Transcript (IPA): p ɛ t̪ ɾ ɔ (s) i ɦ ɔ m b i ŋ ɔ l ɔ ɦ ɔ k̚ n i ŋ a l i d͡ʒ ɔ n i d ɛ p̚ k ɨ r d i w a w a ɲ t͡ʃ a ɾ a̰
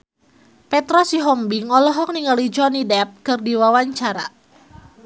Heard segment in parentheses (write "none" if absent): s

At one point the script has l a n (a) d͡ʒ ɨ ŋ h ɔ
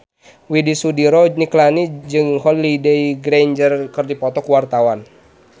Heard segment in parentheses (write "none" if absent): i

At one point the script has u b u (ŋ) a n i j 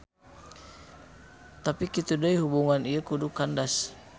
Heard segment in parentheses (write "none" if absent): ŋ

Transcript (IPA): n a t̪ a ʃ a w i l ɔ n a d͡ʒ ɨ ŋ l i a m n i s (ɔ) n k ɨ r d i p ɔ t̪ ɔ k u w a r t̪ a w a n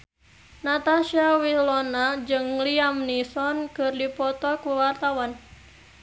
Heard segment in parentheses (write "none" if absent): ɔ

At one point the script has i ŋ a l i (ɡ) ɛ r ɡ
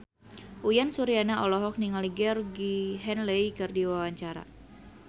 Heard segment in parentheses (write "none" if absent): ɡ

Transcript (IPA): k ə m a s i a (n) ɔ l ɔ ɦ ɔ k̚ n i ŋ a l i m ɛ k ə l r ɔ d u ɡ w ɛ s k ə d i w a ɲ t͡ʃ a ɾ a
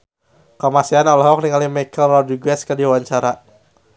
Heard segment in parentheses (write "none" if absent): n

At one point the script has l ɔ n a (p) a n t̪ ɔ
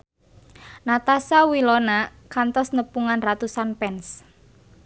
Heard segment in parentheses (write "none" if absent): k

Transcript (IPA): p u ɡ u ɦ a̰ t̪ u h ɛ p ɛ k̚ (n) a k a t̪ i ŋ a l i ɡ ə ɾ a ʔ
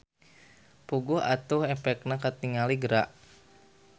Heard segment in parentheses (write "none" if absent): n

